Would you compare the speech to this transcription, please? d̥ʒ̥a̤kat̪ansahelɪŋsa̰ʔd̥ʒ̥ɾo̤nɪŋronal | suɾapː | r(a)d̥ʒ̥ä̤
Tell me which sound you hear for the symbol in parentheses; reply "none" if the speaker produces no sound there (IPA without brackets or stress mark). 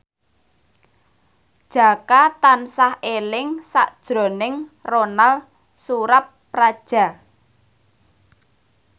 a